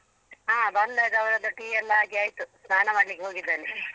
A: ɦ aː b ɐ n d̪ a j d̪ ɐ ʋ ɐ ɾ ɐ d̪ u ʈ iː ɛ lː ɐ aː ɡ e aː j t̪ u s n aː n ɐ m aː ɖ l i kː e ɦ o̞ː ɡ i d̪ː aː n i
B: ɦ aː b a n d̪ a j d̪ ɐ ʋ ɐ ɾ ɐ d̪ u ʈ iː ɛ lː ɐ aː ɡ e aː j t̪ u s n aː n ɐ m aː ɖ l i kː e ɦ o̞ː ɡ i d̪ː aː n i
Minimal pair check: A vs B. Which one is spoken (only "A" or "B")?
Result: A